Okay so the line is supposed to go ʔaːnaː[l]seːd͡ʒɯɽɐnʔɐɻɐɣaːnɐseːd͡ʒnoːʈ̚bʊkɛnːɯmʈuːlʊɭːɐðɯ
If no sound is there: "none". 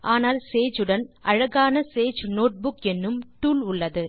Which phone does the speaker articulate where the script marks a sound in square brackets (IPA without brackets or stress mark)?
l